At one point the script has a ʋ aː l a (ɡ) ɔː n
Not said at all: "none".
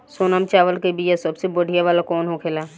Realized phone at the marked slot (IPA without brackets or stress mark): k